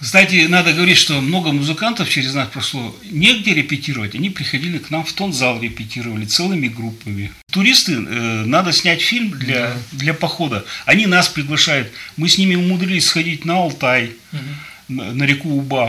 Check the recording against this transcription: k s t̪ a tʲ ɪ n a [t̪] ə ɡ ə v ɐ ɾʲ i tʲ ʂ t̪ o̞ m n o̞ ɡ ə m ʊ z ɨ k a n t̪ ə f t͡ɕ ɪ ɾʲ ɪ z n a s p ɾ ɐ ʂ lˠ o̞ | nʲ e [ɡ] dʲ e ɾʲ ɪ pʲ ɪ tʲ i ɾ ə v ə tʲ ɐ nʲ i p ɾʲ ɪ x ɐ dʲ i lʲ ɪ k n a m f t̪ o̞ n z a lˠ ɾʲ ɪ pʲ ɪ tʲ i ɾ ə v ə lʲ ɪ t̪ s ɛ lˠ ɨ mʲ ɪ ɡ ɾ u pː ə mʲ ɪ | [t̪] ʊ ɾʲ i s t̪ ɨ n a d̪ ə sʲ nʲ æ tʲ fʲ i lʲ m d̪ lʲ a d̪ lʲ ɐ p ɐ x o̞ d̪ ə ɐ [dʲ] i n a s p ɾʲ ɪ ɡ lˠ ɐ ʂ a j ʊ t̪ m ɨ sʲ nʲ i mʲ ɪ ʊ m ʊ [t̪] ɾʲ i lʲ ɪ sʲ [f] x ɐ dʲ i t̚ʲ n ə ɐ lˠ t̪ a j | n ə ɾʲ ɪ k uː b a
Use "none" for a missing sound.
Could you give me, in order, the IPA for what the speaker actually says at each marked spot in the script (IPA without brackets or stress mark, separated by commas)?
d̪, ɡ, t̪, nʲ, d̪, s